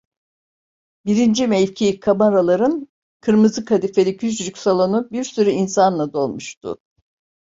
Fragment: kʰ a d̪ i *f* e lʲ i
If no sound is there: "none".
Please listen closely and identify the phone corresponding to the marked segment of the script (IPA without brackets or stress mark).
f